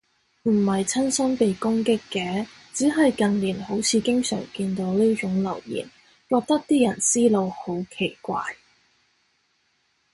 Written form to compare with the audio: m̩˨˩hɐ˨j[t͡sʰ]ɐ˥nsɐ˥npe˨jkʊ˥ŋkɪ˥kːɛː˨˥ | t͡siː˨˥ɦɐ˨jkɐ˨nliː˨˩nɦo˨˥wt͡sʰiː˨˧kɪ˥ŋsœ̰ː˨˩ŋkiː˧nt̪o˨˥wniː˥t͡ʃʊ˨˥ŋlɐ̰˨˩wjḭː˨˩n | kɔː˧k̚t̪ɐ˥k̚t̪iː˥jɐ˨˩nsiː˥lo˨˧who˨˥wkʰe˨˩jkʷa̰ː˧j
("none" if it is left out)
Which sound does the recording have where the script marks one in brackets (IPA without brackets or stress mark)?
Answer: t͡sʰ